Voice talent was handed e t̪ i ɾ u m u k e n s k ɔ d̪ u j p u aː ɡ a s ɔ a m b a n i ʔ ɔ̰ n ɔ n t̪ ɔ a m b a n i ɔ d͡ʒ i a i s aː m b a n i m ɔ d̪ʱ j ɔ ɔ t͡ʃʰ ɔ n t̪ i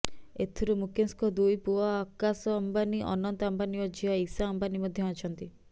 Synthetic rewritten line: e t̪ʰ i ɾ u m u k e n s k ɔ d̪ u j p u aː k a s ɔ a m b a n i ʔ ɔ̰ n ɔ n t̪ ɔ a m b a n i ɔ d͡ʒ i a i s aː m b a n i m ɔ d̪ʱ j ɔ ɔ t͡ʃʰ ɔ n t̪ i